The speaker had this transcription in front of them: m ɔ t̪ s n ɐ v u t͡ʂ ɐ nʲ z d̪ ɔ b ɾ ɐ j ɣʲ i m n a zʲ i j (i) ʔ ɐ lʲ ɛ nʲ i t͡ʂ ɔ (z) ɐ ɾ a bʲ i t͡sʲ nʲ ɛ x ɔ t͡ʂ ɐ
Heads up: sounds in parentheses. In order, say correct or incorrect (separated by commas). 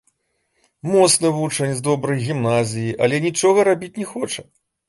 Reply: correct, incorrect